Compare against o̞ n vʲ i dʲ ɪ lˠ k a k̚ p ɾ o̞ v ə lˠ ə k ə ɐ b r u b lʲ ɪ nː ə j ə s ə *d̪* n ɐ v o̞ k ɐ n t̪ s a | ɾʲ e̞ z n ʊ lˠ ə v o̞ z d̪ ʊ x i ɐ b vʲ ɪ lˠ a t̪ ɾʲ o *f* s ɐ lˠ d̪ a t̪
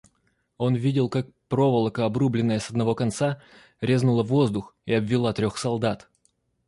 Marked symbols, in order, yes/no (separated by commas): yes, no